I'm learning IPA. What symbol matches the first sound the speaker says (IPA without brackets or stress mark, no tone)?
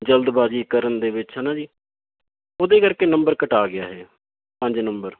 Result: d͡ʒ